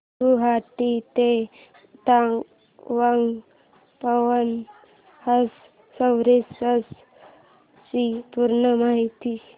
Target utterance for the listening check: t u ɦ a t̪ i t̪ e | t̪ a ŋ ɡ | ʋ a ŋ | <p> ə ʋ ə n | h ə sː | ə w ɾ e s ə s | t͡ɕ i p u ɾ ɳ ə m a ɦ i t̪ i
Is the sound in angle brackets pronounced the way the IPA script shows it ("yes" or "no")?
yes